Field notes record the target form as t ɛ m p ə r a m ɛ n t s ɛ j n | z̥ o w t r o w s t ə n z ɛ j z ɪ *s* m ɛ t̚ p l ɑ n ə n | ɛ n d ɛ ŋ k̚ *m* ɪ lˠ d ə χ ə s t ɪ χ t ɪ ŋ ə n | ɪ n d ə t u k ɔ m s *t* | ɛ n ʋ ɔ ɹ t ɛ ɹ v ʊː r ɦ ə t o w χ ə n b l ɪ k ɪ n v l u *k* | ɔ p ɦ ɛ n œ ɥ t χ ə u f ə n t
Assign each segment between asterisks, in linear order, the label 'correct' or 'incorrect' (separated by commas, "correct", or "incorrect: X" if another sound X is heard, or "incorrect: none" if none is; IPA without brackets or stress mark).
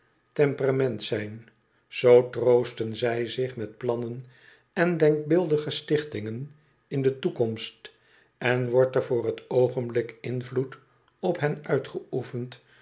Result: incorrect: χ, incorrect: b, correct, incorrect: t